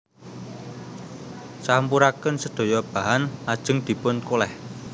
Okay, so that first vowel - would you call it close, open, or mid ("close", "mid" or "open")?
open